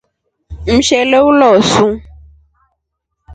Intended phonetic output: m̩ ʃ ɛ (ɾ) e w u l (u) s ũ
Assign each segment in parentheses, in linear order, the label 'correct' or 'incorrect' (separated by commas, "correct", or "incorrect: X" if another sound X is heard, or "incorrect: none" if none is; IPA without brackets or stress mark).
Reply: incorrect: l, incorrect: ɔ